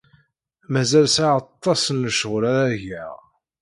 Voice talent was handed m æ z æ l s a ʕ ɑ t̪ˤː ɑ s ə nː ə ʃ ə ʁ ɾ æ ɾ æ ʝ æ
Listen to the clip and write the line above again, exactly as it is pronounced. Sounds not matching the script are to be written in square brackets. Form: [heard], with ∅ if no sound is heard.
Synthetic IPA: m æ z æ l s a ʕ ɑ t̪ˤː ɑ s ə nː ə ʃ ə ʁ ɾ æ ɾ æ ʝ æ

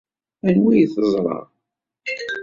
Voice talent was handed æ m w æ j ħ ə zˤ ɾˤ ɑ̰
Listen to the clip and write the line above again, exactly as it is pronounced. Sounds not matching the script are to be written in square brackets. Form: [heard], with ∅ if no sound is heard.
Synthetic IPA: æ [n] w [i] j [θ] ə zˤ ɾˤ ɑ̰

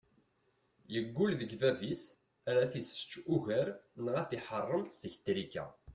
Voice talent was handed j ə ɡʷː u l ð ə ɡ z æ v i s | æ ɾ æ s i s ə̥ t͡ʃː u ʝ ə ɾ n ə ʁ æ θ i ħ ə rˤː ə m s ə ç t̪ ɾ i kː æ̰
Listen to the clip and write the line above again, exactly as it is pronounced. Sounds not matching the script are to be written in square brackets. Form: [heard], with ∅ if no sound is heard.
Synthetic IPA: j ə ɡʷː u l ð ə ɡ [v] æ v i s | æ ɾ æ [θ] i s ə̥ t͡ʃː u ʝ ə ɾ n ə ʁ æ θ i ħ ə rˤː ə m s ə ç t̪ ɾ i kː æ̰

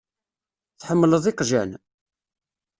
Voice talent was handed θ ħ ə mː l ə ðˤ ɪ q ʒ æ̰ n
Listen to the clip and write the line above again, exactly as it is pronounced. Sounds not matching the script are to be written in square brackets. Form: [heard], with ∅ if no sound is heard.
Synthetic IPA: θ ħ ə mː l ə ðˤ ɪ q ʒ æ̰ n

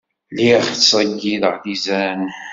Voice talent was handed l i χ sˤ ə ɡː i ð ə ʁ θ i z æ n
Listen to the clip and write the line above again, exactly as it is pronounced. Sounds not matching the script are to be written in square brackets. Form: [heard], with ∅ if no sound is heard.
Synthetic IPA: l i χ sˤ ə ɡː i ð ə ʁ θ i z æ n

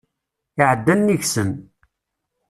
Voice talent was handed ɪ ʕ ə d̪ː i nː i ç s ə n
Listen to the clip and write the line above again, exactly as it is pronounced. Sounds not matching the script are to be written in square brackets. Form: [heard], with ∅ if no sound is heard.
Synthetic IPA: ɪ ʕ ə d̪ː [æ] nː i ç s ə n

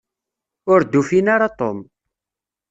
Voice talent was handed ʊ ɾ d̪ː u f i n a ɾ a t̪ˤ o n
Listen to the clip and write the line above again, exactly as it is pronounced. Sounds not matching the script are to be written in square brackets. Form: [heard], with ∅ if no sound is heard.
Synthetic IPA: ʊ ɾ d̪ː u f i n a ɾ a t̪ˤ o [m]

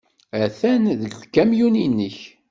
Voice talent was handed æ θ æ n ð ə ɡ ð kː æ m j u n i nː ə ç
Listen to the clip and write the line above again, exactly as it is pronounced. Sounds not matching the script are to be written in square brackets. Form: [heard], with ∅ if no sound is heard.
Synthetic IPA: æ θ æ n ð ə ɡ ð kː æ m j u n i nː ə ç

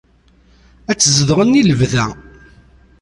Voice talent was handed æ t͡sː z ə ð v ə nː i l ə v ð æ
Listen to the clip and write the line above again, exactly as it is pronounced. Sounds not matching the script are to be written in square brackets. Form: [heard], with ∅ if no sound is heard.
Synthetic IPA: æ t͡sː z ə ð [ʁ] ə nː i l ə v ð æ

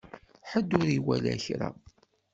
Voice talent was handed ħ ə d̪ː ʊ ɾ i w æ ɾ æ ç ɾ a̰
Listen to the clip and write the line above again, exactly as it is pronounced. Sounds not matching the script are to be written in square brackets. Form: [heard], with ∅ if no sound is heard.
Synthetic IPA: ħ ə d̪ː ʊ ɾ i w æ [l] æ ç ɾ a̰

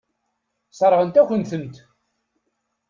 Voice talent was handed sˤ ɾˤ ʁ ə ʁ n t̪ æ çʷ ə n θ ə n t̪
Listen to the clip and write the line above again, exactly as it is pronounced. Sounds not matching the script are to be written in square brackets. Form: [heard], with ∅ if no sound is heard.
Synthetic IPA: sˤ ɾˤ ʁ ə [∅] n t̪ æ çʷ ə n θ ə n t̪

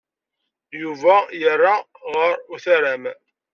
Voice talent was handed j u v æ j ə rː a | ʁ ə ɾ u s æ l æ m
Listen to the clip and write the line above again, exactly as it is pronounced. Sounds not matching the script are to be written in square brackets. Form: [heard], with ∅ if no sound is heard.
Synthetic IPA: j u v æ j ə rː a | ʁ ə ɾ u [θ] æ [ɾ] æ m

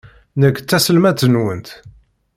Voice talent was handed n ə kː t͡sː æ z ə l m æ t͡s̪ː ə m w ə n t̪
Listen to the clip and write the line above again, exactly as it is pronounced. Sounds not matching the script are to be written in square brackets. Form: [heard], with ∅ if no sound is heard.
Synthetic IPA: n ə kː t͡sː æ [s] ə l m æ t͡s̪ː ə [n] w ə n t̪

